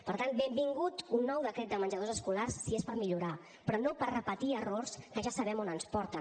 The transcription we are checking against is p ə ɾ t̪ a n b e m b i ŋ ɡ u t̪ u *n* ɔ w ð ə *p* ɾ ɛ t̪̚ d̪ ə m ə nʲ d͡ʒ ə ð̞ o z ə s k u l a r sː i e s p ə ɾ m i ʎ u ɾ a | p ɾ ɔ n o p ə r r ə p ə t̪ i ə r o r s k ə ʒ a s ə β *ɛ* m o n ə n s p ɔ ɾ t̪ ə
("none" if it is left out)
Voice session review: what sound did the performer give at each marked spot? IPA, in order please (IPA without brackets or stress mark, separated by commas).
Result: nː, k, ɛ